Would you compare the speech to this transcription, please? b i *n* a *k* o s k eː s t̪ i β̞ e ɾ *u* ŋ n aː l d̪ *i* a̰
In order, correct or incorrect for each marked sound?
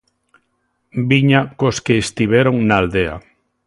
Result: incorrect: ɲ, correct, incorrect: o, incorrect: e

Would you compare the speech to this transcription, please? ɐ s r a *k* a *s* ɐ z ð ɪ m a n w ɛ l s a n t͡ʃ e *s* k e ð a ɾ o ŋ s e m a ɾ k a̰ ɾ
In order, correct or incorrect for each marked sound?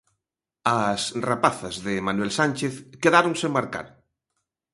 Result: incorrect: p, incorrect: θ, incorrect: θ

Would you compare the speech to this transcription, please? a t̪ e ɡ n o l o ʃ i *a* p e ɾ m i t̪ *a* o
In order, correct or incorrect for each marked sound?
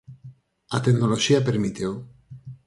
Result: correct, incorrect: e

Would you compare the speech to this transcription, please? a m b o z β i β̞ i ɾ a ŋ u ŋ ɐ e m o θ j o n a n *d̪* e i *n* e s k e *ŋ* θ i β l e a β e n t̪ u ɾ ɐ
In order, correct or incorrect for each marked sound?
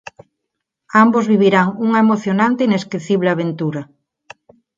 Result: incorrect: t̪, correct, incorrect: none

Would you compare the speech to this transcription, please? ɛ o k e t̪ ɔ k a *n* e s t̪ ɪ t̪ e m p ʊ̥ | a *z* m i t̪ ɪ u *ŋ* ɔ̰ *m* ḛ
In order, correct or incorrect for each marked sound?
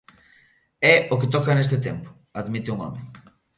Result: correct, incorrect: ð, correct, correct

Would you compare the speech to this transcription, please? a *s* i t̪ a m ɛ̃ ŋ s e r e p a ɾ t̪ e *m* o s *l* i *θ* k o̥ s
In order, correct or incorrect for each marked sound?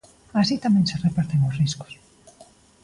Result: correct, incorrect: ŋ, incorrect: r, incorrect: s

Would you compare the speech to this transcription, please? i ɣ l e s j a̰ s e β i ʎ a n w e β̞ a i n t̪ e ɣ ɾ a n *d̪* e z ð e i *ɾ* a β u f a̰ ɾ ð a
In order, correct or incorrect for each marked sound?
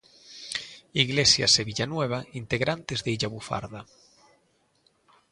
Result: incorrect: t̪, incorrect: ʎ

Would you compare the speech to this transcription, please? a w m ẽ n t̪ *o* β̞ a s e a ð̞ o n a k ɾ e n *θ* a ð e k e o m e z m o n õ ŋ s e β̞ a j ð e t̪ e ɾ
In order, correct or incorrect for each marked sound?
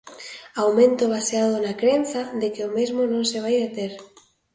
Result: correct, correct

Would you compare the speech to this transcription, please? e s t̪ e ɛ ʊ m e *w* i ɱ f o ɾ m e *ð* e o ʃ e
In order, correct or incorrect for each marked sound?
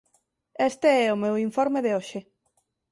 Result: correct, correct

